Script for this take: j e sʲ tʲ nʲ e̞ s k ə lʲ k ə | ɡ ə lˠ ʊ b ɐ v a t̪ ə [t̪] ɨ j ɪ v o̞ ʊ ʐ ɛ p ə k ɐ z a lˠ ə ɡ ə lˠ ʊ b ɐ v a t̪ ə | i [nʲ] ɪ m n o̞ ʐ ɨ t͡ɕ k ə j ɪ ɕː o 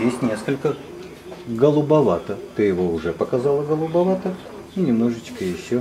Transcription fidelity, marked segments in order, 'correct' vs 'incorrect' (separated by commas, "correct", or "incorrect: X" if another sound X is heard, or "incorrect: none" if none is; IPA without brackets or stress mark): correct, correct